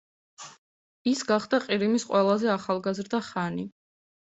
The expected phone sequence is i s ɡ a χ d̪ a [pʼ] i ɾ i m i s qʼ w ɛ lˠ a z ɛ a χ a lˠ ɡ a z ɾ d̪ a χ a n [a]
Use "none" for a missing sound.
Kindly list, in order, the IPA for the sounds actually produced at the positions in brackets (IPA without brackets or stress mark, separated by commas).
qʼ, i